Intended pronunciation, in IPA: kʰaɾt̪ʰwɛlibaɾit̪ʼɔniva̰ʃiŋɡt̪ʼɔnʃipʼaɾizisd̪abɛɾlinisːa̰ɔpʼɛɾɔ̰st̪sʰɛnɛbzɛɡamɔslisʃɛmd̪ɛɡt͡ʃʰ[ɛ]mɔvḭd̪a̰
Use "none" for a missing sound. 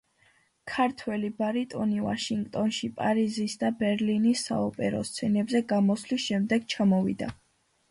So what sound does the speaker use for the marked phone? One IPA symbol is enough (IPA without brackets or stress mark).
a